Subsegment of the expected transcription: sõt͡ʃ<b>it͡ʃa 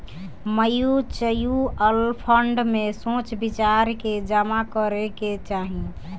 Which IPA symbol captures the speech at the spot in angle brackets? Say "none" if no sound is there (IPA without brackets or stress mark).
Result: b